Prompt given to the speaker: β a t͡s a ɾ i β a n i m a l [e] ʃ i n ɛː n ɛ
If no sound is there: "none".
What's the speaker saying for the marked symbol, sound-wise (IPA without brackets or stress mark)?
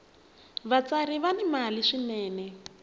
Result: i